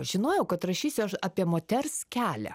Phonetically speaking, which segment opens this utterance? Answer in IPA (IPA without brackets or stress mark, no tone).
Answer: ʒʲ